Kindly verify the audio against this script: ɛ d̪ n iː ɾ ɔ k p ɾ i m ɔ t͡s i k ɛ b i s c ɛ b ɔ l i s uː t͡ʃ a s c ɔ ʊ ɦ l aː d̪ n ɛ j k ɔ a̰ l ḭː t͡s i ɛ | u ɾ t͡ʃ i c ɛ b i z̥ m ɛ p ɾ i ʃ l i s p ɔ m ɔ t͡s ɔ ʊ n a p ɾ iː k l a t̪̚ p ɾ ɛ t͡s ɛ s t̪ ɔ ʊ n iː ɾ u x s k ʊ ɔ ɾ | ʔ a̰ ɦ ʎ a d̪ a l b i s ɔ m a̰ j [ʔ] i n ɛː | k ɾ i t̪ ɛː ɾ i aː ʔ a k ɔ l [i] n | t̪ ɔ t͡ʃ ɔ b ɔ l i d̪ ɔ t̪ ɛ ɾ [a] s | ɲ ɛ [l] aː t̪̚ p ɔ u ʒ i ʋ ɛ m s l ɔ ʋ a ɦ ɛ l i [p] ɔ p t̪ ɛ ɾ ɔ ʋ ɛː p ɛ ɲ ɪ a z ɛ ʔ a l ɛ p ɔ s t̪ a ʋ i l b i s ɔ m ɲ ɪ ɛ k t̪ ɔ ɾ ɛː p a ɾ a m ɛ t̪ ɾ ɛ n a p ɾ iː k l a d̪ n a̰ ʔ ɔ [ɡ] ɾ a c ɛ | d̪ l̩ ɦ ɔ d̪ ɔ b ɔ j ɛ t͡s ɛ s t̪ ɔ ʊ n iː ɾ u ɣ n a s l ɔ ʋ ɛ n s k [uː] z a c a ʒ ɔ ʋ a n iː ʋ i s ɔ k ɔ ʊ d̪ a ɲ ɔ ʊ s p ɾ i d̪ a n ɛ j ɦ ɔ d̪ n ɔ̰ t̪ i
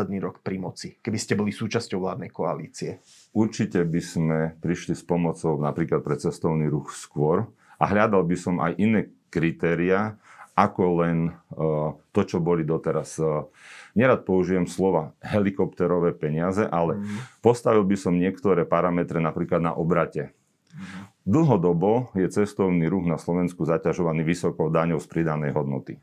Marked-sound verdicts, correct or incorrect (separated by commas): correct, incorrect, correct, incorrect, incorrect, incorrect, incorrect